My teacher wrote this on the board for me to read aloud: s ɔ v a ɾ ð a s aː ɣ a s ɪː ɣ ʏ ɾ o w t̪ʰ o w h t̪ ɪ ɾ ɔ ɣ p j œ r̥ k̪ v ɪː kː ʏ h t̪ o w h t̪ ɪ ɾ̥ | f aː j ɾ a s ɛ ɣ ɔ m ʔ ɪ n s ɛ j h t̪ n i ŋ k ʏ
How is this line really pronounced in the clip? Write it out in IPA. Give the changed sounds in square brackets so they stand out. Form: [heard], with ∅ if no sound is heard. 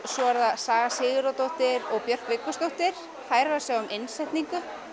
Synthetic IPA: s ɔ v a ɾ ð a s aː ɣ a s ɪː ɣ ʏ ɾ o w [t̪] o w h t̪ ɪ ɾ ɔ ɣ p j œ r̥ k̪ v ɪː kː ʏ [s] t̪ o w h t̪ ɪ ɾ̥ | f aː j ɾ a s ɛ ɣ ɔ m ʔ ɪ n s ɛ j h t̪ n i ŋ k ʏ